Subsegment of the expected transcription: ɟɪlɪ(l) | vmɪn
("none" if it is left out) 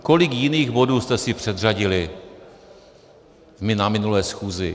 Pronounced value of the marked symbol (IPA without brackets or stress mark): none